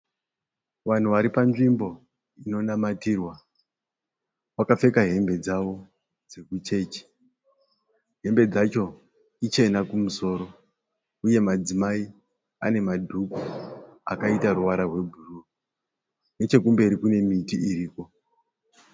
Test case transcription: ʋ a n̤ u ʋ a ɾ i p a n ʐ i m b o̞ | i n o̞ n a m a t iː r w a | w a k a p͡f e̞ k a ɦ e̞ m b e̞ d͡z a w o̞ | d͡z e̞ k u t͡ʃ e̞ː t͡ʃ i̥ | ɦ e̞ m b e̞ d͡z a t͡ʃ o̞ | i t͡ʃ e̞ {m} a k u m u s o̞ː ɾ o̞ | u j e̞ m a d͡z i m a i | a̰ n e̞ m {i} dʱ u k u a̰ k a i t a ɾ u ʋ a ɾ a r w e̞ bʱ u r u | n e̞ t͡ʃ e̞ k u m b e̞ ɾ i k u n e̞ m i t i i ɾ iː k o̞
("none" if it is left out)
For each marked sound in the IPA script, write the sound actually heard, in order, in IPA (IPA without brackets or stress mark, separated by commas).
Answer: n, a